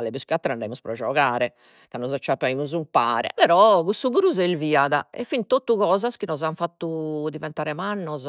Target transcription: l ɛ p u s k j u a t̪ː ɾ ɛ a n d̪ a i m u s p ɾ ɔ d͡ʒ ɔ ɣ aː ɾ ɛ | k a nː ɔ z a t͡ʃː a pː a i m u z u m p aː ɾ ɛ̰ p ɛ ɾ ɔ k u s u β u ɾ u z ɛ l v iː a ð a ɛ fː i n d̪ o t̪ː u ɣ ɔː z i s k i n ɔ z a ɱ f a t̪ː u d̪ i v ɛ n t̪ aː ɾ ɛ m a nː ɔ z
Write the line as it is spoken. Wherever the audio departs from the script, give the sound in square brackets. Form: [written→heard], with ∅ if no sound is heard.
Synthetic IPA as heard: l ɛ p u s k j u a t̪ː ɾ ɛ a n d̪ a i m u s p ɾ ɔ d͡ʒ ɔ ɣ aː ɾ ɛ | k a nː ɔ z a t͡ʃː a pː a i m u z u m p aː ɾ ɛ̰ p ɛ ɾ ɔ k u s u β u ɾ u z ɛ l v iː a ð a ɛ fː i n [d̪→t̪] o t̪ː u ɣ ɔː z [i→a] s k i n ɔ z a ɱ f a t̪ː u d̪ i v ɛ n t̪ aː ɾ ɛ m a nː ɔ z